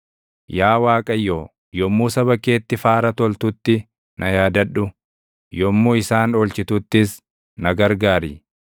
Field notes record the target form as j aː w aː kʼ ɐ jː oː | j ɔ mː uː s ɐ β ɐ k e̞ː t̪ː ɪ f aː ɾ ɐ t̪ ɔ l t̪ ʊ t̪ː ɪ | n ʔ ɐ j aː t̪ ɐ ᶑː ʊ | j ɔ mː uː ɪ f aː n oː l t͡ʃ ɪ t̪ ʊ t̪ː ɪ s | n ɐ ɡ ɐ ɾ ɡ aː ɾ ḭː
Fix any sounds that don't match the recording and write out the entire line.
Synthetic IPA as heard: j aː w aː kʼ ɐ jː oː | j ɔ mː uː s ɐ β ɐ k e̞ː t̪ː ɪ f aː ɾ ɐ t̪ ɔ l t̪ ʊ t̪ː ɪ | n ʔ ɐ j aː d̪ ɐ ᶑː ʊ | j ɔ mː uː ɪ s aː n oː l t͡ʃ ɪ t̪ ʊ t̪ː ɪ s | n ɐ ɡ ɐ ɾ ɡ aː ɾ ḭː